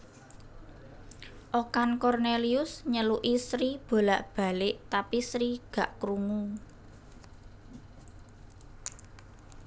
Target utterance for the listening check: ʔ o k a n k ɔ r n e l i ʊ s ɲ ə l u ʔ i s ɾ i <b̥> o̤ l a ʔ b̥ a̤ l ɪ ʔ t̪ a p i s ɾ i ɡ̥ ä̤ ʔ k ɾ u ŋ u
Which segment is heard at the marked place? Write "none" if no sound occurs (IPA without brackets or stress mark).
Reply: b̥